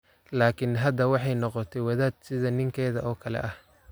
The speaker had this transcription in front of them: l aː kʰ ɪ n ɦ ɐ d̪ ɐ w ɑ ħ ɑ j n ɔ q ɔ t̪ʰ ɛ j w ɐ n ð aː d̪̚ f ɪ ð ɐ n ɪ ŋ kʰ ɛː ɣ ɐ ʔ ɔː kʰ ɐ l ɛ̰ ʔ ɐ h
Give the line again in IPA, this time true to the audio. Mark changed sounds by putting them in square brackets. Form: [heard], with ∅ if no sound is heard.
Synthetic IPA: l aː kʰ ɪ n ɦ ɐ d̪ ɐ w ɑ ħ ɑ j n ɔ q ɔ t̪ʰ ɛ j w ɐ [∅] ð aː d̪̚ [s] ɪ ð ɐ n ɪ ŋ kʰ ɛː [ð] ɐ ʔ ɔː kʰ ɐ l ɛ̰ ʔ ɐ h